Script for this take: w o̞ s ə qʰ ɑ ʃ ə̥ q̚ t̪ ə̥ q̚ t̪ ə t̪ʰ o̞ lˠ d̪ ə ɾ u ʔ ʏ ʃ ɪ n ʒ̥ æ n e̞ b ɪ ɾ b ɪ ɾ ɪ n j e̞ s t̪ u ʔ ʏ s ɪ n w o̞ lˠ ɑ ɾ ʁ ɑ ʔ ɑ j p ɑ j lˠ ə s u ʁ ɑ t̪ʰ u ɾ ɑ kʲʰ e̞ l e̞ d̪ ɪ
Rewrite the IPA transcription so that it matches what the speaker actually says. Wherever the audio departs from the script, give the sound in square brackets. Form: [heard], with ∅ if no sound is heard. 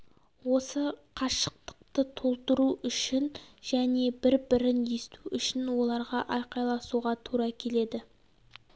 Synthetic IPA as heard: w o̞ s ə qʰ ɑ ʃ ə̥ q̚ t̪ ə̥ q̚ t̪ ə t̪ʰ o̞ lˠ [t̪] ə ɾ u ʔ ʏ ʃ ɪ n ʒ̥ æ n e̞ b ɪ ɾ b ɪ ɾ ɪ n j e̞ s t̪ u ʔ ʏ [ʃ] ɪ n w o̞ lˠ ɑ ɾ ʁ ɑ ʔ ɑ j [q] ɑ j lˠ [ɑ] s u ʁ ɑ t̪ʰ u ɾ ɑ kʲʰ e̞ l e̞ d̪ ɪ